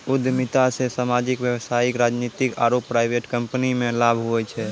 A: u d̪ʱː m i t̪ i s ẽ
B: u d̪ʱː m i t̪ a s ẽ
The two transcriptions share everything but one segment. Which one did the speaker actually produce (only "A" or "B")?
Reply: B